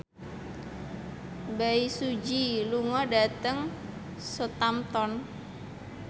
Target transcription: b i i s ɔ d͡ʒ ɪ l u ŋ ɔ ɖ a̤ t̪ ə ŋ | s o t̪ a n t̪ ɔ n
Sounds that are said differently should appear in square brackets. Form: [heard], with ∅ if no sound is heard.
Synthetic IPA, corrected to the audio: b [a] i s [u] d͡ʒ [i] l u ŋ ɔ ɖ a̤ t̪ ə ŋ | s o t̪ a [m] t̪ ɔ n